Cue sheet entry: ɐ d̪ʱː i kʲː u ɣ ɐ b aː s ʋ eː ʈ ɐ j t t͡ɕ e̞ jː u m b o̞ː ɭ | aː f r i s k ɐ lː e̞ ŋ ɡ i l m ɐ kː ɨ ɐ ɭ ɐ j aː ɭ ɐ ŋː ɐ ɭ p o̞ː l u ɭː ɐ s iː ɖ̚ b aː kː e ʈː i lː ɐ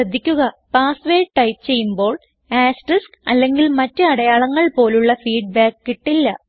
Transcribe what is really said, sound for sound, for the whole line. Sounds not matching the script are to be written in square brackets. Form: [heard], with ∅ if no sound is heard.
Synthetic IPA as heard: ɐ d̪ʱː i kʲː u ɣ ɐ [p] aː s ʋ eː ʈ ɐ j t t͡ɕ e̞ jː u m b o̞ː ɭ | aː [s] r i s k ɐ lː e̞ ŋ ɡ i l m ɐ [tː] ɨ ɐ [ɽ] ɐ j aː ɭ ɐ ŋː ɐ ɭ p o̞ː l u ɭː ɐ [f] iː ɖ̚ b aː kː [i] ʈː i lː ɐ